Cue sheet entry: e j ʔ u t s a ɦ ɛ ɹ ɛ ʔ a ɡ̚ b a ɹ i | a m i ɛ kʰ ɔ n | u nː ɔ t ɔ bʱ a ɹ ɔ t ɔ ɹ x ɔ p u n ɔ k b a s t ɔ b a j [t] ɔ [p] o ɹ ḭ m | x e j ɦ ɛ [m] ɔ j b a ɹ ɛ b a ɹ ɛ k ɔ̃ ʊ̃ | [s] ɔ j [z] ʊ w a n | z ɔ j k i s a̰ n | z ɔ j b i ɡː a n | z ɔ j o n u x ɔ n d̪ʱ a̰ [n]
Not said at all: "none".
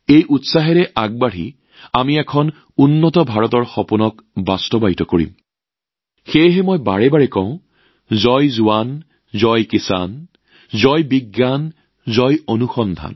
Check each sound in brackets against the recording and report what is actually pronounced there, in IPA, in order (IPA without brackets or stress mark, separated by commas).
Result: t, k, m, z, z, n